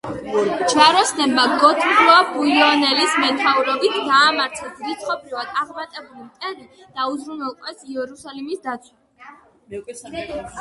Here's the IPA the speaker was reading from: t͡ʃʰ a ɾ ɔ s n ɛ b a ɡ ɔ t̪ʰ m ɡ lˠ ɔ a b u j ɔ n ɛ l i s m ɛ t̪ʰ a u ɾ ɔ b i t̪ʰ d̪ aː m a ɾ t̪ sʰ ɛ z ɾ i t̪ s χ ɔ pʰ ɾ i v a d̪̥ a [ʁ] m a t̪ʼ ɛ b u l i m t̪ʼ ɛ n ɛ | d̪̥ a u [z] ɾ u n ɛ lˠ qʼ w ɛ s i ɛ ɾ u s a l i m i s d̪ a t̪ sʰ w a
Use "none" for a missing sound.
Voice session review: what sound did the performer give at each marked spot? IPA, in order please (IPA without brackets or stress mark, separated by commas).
ʁ, z